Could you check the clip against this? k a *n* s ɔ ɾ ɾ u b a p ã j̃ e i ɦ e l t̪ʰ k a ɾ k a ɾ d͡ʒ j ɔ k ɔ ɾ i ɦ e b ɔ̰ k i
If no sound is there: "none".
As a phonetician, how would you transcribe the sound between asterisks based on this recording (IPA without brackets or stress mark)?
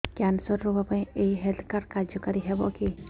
n